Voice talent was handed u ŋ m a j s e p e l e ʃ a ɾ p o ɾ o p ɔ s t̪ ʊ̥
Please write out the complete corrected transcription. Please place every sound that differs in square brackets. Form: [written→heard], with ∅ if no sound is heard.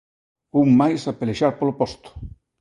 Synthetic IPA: u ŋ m a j s [e→a] p e l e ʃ a ɾ p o [ɾ→l] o p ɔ s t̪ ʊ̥